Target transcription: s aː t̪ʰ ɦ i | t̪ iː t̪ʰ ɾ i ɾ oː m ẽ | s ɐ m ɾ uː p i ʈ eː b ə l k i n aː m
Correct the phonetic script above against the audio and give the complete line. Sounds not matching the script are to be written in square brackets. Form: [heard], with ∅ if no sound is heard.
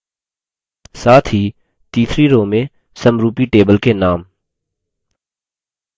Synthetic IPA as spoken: s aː t̪ʰ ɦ i | t̪ iː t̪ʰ ɾ i ɾ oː m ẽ | s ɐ m ɾ uː p i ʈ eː b ə l k [e] n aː m

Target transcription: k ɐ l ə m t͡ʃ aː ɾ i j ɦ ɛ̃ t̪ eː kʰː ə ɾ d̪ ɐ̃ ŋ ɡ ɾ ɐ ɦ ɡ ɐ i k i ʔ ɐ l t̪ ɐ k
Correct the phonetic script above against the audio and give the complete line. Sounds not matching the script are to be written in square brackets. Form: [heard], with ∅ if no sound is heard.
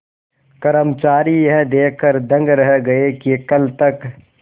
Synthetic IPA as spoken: k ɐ [ɾ] ə m t͡ʃ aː ɾ i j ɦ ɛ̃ [d̪] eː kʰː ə ɾ d̪ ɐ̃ ŋ ɡ ɾ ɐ ɦ ɡ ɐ [e] k i [k] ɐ l t̪ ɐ k

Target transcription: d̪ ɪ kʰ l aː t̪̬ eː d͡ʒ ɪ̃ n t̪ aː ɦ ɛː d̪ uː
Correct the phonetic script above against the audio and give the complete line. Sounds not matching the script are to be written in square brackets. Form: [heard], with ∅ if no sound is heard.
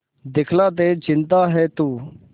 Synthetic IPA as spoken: d̪ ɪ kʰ l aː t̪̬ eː d͡ʒ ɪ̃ n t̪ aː ɦ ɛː [t̪] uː

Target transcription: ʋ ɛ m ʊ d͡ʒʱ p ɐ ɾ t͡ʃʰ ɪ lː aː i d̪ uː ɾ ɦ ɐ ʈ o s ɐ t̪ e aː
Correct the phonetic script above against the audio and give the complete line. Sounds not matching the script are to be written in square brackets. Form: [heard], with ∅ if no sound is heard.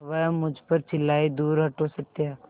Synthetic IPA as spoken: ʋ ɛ m ʊ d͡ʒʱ p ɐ ɾ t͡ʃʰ ɪ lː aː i d̪ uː ɾ ɦ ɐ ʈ o s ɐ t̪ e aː

